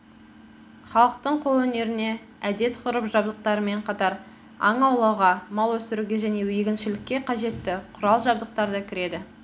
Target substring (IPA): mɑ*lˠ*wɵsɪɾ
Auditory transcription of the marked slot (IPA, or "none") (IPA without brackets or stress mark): lˠ